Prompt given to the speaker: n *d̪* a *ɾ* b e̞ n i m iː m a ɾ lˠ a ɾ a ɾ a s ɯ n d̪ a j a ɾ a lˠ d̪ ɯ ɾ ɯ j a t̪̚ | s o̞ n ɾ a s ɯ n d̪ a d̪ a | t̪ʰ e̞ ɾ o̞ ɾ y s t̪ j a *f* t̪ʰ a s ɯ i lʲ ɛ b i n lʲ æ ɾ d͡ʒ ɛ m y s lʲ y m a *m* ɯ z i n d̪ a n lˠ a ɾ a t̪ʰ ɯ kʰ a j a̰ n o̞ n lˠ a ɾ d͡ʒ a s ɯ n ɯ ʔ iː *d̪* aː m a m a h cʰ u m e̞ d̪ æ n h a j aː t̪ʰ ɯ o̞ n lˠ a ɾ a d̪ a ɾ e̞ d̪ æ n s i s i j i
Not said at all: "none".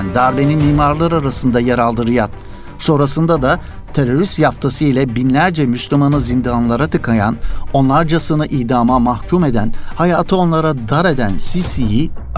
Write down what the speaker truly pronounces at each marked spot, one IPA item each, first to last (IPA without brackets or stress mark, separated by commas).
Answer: d̪, ɾ, f, n, d̪